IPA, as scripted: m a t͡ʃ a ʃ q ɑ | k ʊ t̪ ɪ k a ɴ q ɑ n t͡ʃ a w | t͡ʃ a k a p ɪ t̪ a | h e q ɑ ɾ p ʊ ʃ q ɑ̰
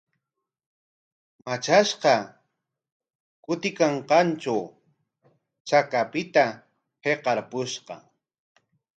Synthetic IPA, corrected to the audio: m a t͡ʃ a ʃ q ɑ | k ʊ t̪ ɪ k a ɴ q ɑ n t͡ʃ a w | t͡ʃ a k a p ɪ t̪ a | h e q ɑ ɾ p ʊ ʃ q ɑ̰